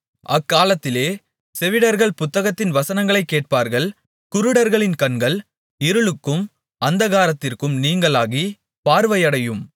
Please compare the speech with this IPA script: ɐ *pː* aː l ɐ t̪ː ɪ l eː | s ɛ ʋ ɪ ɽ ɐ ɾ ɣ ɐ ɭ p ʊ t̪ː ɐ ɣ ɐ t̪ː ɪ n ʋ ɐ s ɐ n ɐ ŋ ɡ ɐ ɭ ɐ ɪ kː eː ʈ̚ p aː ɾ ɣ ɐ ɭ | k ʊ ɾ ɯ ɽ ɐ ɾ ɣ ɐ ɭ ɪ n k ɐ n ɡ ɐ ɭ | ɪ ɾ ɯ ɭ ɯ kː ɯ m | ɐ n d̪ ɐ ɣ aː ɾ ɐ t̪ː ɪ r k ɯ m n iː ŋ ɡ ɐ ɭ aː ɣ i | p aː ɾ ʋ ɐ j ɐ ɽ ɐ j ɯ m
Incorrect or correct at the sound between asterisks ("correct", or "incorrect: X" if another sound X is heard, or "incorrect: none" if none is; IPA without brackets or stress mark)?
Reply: incorrect: kː